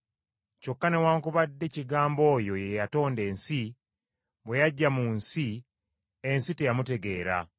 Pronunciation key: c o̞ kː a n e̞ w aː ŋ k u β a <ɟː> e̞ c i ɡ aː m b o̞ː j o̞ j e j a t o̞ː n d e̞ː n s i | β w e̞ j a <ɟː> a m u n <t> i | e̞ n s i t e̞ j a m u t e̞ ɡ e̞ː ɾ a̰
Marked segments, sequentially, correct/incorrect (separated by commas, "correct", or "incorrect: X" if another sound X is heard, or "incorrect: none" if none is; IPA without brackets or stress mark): incorrect: dː, correct, incorrect: s